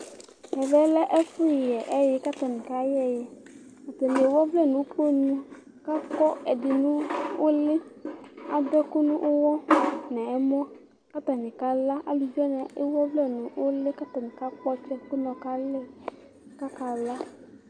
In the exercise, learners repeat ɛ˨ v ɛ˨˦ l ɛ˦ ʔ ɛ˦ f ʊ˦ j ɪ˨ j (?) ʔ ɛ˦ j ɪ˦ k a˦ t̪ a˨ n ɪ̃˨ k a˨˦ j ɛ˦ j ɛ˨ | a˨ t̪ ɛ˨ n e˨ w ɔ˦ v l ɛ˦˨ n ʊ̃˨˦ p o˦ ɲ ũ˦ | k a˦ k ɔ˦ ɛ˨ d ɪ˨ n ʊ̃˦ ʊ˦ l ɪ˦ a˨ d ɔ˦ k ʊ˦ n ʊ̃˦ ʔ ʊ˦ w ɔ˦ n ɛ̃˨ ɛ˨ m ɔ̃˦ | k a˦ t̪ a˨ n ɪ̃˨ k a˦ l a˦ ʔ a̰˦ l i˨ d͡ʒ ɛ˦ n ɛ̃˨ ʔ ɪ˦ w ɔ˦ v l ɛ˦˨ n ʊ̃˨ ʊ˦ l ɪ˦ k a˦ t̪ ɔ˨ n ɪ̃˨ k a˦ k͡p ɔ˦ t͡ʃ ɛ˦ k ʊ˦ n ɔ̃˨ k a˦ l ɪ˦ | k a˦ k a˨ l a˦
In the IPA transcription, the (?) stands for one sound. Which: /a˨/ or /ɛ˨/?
ɛ˨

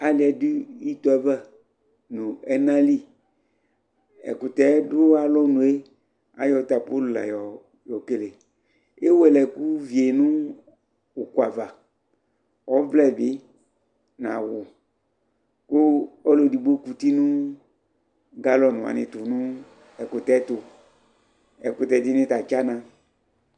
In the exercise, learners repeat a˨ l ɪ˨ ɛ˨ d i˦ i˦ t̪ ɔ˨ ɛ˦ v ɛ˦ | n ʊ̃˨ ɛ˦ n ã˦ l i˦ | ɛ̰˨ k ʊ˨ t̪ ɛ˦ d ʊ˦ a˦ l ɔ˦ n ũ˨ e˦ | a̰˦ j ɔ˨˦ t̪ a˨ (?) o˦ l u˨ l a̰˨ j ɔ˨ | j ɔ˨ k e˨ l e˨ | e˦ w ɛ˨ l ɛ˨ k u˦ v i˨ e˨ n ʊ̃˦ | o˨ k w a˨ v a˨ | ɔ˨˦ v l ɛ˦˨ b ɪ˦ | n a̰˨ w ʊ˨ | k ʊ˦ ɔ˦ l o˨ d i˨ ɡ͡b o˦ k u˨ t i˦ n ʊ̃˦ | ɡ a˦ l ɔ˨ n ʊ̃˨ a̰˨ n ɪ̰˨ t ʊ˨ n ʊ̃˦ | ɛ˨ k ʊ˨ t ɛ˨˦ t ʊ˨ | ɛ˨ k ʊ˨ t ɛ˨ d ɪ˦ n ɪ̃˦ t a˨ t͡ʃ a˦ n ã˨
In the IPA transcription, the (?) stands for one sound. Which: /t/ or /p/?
p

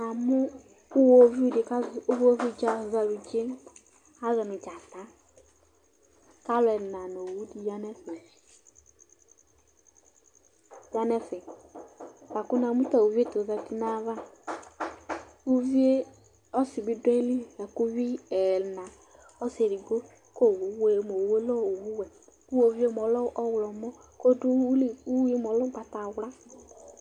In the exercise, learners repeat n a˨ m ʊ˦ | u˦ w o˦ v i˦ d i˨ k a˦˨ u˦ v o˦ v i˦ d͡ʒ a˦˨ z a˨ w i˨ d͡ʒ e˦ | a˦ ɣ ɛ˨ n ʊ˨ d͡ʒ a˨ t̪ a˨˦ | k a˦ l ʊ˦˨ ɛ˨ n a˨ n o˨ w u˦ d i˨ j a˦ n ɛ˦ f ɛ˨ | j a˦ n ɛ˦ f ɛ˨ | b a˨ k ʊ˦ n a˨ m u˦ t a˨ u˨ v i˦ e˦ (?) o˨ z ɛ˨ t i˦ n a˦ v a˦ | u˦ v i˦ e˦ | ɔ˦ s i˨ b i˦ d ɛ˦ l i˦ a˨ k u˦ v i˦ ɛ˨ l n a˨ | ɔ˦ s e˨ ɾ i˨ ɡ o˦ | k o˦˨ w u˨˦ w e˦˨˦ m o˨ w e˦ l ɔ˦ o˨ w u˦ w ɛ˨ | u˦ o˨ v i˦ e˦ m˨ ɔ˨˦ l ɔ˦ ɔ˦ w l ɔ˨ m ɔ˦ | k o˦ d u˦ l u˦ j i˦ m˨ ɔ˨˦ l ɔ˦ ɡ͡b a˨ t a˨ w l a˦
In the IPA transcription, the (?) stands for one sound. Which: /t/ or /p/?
t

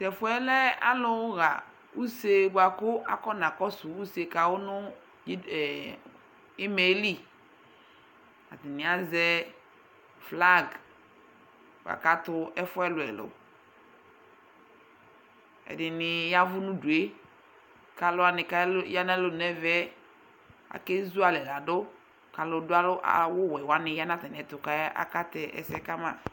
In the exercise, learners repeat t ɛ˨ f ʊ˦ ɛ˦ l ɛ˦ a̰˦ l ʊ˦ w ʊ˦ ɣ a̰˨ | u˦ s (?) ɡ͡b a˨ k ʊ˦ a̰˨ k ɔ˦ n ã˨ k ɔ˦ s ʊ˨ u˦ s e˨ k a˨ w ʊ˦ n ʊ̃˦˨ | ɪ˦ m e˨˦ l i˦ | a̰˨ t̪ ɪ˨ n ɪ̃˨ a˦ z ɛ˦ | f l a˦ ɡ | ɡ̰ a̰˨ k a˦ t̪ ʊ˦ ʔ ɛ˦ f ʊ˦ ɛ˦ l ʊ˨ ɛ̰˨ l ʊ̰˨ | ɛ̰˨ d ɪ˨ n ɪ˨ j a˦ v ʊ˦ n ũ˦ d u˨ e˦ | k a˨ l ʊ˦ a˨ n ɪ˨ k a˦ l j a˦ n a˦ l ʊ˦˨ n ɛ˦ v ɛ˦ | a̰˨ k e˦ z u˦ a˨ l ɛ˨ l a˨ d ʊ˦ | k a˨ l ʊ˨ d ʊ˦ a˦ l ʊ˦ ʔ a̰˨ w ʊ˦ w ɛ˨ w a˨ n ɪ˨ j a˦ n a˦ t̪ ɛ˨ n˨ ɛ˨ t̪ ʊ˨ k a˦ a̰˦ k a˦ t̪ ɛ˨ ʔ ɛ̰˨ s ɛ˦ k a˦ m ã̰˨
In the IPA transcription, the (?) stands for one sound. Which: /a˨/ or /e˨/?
e˨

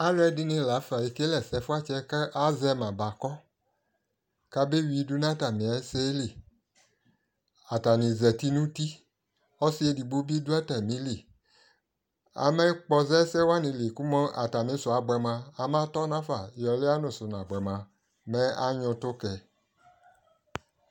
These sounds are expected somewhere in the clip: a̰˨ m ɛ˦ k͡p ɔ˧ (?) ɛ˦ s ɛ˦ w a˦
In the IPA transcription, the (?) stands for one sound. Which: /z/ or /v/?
z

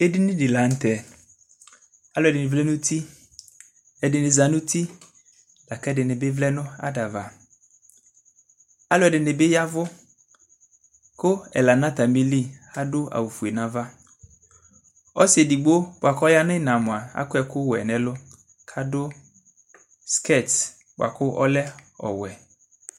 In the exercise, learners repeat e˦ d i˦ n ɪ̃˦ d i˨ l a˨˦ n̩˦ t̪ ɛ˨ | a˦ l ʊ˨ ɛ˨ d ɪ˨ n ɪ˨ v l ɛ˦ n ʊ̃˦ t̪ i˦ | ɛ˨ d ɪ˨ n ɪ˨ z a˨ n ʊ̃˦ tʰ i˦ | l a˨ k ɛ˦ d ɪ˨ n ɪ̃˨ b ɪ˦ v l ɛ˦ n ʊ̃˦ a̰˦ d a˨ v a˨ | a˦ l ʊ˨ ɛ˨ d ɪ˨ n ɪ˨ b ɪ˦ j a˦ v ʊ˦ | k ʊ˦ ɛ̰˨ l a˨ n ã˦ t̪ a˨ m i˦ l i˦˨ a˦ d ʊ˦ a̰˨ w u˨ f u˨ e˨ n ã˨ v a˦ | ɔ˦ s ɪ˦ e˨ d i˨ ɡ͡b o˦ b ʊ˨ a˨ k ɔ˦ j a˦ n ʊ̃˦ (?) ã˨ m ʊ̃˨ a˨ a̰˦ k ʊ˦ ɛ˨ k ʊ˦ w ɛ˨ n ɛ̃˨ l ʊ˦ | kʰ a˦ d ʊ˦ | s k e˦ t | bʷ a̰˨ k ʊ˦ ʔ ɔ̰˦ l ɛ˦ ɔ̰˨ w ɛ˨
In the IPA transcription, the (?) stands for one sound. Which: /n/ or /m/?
n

